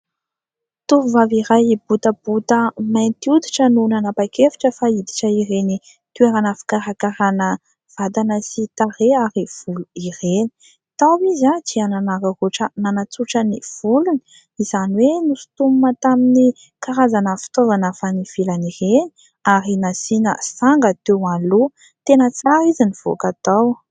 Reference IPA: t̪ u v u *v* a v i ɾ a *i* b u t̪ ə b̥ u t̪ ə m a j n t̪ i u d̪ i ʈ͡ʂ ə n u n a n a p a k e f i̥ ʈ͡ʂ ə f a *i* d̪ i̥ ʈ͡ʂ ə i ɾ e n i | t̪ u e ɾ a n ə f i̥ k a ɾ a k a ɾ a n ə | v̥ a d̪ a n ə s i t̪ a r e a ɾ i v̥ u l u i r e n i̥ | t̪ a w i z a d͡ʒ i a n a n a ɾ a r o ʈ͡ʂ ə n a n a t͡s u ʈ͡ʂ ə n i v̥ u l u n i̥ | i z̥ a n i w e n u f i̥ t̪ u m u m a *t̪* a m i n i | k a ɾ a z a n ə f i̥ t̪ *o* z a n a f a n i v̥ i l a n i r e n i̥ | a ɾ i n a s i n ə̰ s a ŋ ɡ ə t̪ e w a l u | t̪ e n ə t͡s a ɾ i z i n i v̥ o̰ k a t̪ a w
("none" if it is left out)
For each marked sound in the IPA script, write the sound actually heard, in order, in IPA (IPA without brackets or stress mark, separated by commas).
v, j, i, t̪, o